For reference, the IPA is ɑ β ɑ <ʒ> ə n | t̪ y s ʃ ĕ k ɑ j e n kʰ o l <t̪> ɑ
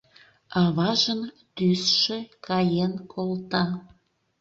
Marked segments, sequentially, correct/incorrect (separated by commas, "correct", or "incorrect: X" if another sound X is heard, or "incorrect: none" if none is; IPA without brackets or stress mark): correct, correct